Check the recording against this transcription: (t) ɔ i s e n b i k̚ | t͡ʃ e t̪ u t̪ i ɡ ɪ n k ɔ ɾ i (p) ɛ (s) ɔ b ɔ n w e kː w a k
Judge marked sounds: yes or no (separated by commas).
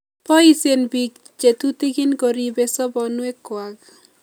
no, no, yes